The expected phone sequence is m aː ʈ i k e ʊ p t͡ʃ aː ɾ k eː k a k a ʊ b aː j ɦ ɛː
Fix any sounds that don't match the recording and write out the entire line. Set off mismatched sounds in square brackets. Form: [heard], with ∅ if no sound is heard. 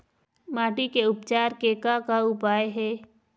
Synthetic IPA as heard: m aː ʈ i k e ʊ p t͡ʃ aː ɾ k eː k a k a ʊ [p] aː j ɦ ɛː